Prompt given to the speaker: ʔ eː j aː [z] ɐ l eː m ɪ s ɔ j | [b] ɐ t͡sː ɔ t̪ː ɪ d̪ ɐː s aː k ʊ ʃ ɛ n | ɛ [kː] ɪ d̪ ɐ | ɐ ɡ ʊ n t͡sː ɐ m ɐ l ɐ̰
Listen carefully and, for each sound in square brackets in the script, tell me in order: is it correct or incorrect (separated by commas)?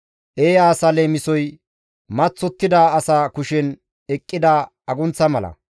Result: incorrect, incorrect, incorrect